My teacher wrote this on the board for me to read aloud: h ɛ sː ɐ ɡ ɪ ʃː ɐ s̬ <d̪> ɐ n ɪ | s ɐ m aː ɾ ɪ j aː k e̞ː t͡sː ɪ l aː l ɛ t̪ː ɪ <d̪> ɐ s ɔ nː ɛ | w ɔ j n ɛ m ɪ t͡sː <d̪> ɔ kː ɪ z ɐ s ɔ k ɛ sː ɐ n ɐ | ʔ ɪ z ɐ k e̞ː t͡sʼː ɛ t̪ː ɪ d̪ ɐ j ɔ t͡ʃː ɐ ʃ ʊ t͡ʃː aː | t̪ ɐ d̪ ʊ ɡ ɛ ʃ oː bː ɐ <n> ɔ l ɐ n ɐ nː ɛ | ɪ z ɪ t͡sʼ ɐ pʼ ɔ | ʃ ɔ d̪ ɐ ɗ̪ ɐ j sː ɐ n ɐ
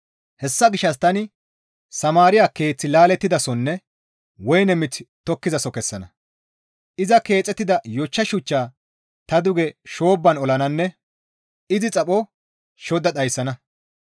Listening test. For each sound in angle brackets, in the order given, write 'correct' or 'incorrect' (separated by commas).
incorrect, correct, incorrect, correct